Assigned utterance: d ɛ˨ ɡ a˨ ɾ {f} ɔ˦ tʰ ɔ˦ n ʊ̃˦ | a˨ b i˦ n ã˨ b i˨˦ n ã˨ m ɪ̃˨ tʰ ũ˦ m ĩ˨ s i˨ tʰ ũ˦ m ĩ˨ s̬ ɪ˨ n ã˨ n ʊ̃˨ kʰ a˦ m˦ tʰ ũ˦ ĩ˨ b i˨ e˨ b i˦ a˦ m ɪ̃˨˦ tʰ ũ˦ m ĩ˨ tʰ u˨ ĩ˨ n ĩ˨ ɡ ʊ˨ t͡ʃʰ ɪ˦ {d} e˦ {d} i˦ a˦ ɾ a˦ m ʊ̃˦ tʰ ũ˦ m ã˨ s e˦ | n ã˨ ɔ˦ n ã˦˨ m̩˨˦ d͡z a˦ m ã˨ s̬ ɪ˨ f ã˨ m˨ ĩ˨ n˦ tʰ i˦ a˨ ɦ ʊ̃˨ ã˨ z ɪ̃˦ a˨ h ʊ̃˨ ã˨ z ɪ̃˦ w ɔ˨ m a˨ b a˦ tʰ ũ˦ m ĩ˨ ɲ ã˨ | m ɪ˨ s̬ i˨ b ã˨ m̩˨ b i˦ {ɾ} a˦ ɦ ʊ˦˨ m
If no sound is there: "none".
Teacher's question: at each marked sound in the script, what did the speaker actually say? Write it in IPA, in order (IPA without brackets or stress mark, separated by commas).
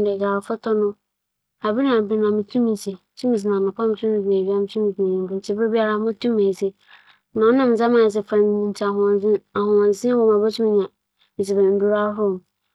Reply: f, b, b, ɾ